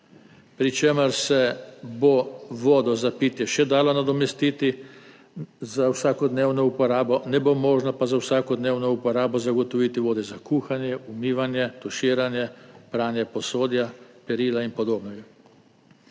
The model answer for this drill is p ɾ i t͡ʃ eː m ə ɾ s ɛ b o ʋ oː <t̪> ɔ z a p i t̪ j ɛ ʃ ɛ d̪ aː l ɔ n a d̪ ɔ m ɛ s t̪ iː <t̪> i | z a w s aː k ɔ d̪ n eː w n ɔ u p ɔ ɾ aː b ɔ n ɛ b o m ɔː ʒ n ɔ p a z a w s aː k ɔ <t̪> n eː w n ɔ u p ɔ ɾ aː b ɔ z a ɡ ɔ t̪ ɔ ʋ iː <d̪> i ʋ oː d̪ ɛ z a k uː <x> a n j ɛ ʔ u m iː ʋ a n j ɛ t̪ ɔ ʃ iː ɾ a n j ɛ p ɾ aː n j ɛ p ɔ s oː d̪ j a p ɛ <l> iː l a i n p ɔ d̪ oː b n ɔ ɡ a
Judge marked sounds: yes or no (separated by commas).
no, yes, no, no, yes, no